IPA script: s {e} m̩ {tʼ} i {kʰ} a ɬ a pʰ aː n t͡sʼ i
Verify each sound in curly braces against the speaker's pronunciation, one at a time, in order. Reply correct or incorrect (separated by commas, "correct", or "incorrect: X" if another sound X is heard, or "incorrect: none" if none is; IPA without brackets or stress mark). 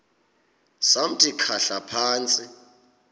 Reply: incorrect: a, correct, correct